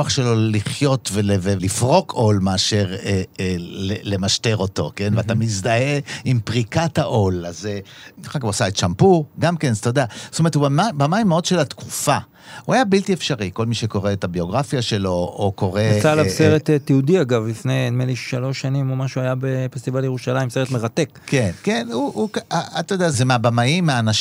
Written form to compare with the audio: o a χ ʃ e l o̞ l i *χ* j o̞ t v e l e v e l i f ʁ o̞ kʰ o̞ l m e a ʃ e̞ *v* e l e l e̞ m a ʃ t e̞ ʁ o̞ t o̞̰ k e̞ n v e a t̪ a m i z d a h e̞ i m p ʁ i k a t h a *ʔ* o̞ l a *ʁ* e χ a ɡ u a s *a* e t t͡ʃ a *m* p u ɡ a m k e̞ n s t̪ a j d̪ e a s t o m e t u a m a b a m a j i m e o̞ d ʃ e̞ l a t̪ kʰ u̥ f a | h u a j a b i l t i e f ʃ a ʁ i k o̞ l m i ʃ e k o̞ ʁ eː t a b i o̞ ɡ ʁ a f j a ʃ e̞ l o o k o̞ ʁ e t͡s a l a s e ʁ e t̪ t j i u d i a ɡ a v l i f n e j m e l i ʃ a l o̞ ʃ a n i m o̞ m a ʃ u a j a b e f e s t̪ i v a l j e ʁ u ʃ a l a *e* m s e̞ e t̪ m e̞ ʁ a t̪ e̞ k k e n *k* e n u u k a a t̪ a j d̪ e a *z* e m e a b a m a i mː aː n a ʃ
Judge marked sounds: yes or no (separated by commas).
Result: yes, no, yes, no, yes, yes, no, yes, yes